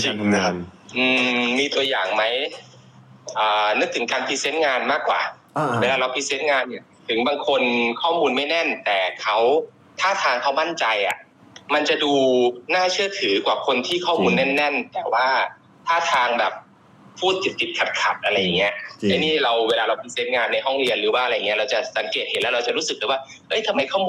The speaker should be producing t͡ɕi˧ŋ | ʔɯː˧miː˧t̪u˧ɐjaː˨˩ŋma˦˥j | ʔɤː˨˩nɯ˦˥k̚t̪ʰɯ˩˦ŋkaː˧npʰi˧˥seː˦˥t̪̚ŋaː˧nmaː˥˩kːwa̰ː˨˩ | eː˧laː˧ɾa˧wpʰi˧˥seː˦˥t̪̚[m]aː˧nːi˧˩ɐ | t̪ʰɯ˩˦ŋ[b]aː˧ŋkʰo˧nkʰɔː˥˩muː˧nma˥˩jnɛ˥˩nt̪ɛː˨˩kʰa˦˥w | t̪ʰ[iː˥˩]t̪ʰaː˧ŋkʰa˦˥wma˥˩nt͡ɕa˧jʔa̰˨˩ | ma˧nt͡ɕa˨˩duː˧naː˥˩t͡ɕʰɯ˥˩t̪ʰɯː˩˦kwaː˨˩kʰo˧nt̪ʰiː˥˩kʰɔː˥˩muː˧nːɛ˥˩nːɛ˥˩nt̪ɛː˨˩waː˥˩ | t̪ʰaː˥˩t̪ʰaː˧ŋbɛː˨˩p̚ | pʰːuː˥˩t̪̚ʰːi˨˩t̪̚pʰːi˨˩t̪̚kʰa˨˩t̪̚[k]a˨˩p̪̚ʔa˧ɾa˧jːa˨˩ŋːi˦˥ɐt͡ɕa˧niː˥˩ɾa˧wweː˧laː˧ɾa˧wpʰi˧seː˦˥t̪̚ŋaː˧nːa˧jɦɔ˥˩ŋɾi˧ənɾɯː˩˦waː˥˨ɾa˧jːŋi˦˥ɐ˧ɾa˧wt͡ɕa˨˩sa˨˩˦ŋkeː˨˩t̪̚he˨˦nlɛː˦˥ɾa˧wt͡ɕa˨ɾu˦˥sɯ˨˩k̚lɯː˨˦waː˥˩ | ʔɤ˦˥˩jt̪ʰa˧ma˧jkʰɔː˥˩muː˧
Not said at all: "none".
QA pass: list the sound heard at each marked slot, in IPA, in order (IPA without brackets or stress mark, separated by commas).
ŋ, b, aː˥˩, kʰ